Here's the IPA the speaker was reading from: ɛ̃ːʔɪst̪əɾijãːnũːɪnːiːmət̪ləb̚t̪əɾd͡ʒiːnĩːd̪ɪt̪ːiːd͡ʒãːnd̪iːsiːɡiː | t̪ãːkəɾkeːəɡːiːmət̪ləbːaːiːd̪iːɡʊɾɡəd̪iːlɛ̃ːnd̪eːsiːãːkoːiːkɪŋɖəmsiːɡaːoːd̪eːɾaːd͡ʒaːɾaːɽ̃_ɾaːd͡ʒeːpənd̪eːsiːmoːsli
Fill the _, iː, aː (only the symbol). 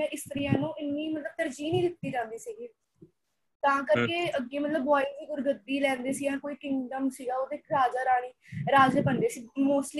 iː